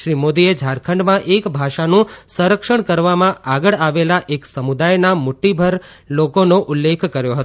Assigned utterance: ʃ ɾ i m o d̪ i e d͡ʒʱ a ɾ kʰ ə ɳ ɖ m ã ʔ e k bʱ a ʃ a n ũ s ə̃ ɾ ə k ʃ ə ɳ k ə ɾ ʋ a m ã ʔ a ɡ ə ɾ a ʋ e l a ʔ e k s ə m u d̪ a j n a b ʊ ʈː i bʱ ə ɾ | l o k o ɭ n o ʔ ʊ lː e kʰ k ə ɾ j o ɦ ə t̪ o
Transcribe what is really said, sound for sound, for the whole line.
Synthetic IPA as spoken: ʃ ɾ i m o d̪ i e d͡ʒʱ a ɾ kʰ ə ɳ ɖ m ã ʔ e k bʱ a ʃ a n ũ s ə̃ ɾ ə k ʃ ə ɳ k ə ɾ ʋ a m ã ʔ a ɡ ə ɭ a ʋ e l a ʔ e k s ə m u d̪ a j n a m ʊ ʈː i bʱ ə ɾ | l o k o n o ʔ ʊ lː e kʰ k ə ɾ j o ɦ ə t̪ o